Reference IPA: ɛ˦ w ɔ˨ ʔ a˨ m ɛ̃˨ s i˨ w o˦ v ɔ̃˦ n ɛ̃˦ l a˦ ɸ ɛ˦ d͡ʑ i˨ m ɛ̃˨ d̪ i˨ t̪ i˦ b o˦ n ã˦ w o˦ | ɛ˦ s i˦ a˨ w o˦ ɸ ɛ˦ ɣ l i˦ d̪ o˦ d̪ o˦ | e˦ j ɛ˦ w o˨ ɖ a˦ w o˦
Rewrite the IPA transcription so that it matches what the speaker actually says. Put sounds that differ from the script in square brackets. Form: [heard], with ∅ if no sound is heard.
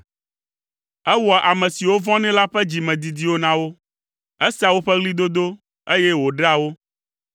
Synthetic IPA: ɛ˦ w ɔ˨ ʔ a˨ m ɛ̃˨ s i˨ w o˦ v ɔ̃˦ n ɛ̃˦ l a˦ ɸ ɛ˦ d͡ʑ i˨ m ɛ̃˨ d̪ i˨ [d̪] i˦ [w] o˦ n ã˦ w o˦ | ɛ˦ s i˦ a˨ w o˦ ɸ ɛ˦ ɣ l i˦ d̪ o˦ d̪ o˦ | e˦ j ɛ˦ w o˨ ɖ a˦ w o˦